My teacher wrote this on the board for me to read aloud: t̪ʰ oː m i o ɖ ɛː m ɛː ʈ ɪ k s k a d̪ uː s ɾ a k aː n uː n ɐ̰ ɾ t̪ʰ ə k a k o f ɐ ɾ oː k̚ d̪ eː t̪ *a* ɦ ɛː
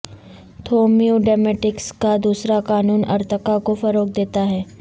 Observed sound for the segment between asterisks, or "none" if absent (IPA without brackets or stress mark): a